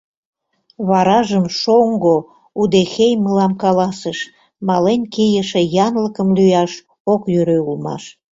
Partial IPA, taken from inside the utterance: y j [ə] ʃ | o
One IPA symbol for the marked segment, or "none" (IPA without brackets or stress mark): ɑ